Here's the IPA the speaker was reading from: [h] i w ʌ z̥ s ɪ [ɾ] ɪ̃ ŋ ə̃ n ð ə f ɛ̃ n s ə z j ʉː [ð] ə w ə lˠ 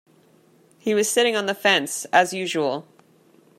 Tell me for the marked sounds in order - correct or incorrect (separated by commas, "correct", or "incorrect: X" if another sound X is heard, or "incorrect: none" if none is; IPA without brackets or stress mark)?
correct, correct, incorrect: ʒ